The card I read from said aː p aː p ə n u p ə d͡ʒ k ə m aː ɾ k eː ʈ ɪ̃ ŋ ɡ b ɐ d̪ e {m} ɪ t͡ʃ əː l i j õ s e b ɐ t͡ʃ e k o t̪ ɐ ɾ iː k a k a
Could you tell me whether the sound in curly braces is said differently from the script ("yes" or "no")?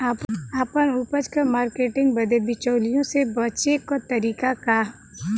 yes